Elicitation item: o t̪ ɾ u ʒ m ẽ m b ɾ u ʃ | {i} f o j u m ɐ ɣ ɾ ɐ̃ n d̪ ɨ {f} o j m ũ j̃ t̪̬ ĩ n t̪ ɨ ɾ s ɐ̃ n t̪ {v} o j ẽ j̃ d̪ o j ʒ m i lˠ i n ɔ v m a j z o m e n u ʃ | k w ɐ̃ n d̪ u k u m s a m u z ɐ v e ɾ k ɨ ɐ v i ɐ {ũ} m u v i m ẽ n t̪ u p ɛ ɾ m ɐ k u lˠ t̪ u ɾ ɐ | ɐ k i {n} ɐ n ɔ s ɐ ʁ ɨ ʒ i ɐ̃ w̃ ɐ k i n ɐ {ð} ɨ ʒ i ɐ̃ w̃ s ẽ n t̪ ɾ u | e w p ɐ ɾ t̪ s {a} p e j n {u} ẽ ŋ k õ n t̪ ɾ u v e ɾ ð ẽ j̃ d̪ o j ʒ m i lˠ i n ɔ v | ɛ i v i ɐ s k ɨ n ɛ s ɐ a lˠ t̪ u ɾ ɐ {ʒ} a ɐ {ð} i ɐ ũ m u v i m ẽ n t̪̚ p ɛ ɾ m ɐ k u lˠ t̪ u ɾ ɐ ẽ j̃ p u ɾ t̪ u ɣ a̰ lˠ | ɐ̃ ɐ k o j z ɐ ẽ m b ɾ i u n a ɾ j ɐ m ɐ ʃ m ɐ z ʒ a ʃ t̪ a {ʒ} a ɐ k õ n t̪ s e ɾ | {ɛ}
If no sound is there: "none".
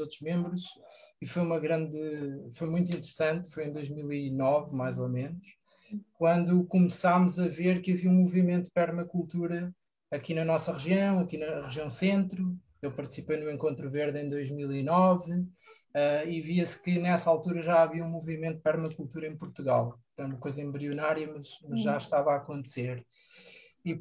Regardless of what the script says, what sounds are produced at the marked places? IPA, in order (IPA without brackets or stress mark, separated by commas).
i, f, f, ũ, n, ʁ, i, u, ʒ, v, v, i